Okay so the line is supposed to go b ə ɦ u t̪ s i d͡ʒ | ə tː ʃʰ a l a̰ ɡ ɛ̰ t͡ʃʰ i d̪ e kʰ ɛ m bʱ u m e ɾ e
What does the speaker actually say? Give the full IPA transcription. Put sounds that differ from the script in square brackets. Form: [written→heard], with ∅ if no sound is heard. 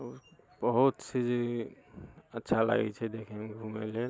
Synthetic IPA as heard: b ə ɦ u t̪ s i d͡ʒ | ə tː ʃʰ a l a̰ ɡ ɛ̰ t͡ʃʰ [i→ɛ] d̪ e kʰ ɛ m [bʱ→ɡʱ] u m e [ɾ→l] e